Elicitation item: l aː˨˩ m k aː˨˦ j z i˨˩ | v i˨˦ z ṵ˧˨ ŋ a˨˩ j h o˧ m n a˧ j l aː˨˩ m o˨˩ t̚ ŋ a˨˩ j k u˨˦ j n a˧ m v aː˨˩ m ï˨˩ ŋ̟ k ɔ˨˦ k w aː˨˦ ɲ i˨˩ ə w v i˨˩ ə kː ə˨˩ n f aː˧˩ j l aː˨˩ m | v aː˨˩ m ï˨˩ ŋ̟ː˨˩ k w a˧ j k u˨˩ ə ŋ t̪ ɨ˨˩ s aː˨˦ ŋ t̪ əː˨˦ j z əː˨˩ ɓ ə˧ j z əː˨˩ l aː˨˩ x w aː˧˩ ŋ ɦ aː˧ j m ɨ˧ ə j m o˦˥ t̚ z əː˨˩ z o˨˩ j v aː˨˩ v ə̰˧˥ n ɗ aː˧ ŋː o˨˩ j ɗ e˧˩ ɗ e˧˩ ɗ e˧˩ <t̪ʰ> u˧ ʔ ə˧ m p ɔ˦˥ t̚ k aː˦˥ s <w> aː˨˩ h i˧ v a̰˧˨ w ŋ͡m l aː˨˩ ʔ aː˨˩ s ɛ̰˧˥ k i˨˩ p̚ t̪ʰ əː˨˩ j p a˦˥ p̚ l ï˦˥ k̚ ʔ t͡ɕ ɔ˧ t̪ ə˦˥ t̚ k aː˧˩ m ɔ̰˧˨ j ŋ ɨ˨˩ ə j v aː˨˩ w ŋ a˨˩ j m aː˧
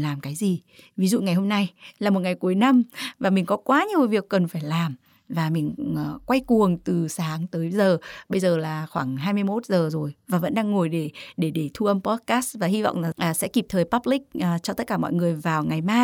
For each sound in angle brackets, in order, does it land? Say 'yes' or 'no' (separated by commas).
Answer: yes, no